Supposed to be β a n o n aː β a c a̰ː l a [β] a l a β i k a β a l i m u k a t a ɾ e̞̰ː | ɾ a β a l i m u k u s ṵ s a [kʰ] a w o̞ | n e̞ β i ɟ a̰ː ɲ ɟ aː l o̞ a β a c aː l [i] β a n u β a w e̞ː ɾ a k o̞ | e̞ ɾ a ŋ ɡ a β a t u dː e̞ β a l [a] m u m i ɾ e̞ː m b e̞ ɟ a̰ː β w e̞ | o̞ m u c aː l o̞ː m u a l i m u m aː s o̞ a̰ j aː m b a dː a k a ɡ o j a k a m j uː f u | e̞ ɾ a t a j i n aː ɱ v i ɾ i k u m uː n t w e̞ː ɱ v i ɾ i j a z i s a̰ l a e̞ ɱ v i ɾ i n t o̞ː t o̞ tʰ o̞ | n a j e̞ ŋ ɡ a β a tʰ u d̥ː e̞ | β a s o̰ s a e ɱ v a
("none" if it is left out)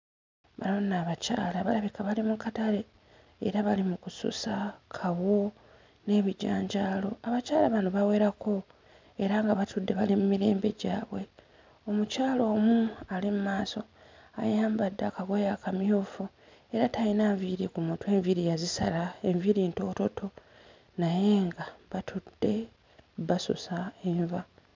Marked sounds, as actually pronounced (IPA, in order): β, kʰ, a, i

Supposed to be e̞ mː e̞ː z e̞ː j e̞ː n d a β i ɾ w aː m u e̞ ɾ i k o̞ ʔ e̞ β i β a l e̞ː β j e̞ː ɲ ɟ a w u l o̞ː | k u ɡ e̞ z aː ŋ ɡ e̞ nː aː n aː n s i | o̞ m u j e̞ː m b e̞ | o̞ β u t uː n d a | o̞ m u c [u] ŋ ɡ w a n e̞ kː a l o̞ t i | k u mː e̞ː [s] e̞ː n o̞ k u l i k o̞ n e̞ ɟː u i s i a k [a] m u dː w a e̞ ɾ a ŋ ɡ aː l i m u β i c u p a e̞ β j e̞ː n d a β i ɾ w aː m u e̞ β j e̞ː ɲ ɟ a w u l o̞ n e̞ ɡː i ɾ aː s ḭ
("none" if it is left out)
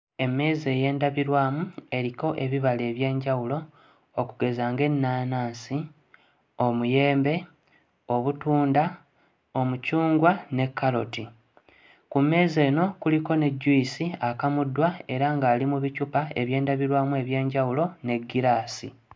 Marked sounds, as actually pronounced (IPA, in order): uː, z, a

